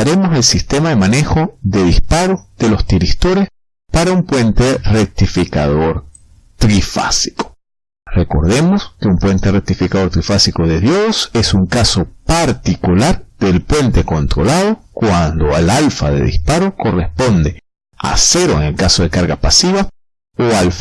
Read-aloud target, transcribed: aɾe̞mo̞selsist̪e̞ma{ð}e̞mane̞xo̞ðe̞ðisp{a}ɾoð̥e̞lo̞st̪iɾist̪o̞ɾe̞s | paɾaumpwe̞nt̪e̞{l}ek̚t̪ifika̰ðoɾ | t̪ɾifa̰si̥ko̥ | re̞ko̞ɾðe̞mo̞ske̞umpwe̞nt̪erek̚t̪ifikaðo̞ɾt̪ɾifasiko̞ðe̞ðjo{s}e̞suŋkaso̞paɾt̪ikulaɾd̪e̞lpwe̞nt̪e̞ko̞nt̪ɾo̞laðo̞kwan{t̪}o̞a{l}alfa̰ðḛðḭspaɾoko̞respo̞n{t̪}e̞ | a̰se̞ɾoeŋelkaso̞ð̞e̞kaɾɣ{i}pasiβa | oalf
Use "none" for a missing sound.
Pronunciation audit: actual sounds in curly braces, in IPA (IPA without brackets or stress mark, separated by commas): ð, a, r, s, d̪, l, d̪, a